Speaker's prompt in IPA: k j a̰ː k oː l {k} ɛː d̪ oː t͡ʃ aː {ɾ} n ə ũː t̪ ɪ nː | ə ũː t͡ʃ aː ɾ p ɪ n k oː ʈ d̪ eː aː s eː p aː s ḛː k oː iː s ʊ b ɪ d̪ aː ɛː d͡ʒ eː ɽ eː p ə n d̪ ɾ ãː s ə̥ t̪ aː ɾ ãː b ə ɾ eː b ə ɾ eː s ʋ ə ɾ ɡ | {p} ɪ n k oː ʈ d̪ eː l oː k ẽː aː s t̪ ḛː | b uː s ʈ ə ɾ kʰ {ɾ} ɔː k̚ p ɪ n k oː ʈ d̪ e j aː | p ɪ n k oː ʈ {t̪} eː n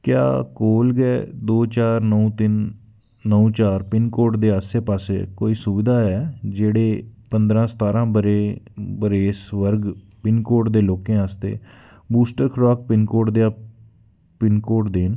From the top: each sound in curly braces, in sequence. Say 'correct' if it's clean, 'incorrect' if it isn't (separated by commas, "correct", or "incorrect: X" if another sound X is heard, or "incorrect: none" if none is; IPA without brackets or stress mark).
incorrect: ɡ, correct, correct, correct, incorrect: d̪